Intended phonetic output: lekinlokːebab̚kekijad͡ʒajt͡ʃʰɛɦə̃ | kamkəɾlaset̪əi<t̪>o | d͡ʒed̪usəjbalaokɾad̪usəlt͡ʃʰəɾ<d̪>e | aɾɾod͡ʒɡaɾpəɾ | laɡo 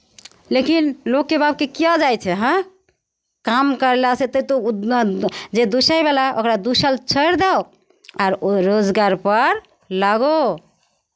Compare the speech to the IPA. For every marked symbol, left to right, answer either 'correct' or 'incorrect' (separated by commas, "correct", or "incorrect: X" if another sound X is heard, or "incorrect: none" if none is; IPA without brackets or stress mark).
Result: correct, correct